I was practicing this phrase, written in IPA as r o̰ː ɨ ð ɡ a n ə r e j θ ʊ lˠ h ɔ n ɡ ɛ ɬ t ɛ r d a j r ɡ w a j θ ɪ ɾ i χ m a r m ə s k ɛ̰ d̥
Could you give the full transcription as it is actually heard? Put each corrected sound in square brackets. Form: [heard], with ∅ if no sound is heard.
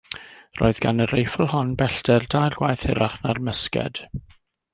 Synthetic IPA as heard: r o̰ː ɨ ð ɡ a n ə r e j [f] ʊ lˠ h ɔ n [b] ɛ ɬ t ɛ r d a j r ɡ w a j θ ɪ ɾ [a] χ [n] a r m ə s k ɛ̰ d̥

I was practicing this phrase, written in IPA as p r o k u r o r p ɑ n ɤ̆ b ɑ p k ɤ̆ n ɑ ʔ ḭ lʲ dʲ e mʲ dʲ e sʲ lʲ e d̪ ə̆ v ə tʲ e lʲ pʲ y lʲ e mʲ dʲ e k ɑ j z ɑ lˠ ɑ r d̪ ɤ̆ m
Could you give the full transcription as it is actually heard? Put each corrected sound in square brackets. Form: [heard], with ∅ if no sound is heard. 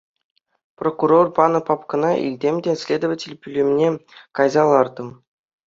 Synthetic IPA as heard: p r o k u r o r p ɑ n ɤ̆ [p] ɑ p k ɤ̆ n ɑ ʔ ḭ lʲ dʲ e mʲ dʲ e sʲ lʲ e d̪ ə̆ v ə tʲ e lʲ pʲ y lʲ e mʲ [nʲ] e k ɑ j z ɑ lˠ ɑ r d̪ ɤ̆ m

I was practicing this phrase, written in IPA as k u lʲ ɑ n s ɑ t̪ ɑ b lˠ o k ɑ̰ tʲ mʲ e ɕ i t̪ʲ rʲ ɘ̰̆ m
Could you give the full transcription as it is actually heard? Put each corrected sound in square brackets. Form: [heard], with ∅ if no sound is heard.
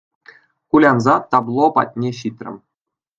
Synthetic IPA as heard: k u lʲ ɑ n [z] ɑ t̪ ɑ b lˠ o [p] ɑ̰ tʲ [nʲ] e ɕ i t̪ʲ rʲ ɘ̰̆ m

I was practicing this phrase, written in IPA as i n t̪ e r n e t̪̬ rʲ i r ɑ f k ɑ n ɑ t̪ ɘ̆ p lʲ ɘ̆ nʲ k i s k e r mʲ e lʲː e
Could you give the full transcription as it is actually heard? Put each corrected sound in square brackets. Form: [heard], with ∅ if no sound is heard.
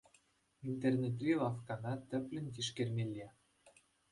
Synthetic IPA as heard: i n t̪ e r n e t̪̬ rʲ i [l] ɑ f k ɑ n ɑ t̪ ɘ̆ p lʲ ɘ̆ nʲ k i [ʃ] k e r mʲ e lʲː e

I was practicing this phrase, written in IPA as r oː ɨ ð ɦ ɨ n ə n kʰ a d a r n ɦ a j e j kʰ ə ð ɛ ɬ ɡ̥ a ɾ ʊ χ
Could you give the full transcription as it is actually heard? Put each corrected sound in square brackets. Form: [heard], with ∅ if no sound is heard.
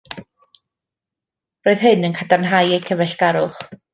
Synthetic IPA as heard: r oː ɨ ð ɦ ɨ n ə n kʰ a d a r n ɦ a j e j kʰ ə [v] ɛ ɬ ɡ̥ a ɾ ʊ χ

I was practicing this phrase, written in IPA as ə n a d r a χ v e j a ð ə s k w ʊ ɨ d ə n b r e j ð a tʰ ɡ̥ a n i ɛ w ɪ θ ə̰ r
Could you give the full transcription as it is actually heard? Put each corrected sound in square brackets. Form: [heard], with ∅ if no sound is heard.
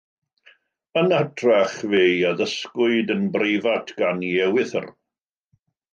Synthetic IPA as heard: ə n a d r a χ v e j a ð ə s k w ʊ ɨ d ə n b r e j [v] a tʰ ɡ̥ a n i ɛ w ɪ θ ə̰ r

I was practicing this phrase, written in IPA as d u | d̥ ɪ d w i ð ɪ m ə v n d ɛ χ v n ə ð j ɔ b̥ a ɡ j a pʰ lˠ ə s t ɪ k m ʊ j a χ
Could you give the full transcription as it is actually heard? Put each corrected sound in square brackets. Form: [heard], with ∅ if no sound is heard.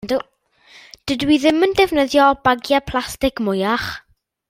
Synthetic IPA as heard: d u | d̥ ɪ d w i ð ɪ m ə [∅] n d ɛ [∅] v n ə ð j ɔ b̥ a ɡ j a pʰ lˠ [a] s t ɪ k m ʊ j a χ

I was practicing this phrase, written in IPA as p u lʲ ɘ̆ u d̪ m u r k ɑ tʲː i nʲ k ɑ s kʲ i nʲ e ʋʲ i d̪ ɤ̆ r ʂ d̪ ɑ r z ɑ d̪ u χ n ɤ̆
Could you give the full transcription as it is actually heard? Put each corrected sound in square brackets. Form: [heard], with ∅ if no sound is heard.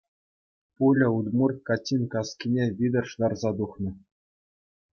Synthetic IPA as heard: p u lʲ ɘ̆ u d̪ m u r k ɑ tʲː i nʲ k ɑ s kʲ i nʲ e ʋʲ i d̪ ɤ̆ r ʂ d̪ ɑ r z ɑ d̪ u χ n ɤ̆

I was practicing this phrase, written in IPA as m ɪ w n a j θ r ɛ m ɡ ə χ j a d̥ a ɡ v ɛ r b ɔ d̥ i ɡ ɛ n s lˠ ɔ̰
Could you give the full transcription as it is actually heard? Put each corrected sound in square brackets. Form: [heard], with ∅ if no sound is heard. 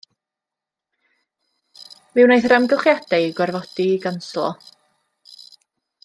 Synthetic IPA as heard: m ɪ w n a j θ r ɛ m ɡ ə χ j a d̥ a ɡ [w] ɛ r [v] ɔ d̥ i ɡ [a] n s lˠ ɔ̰

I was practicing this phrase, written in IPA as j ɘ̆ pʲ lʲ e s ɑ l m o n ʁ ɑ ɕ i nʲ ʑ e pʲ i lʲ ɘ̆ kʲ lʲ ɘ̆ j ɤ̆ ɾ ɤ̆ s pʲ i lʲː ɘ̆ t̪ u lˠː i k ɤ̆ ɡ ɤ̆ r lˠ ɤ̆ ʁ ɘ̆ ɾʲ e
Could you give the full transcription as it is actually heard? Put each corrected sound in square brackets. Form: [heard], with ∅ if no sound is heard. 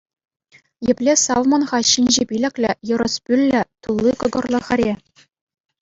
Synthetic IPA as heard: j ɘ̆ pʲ lʲ e s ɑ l m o n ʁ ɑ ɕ i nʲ ʑ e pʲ i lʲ ɘ̆ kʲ lʲ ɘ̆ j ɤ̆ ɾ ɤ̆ s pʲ [y] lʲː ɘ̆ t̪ u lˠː i k ɤ̆ ɡ ɤ̆ r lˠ ɤ̆ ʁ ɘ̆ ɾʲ e

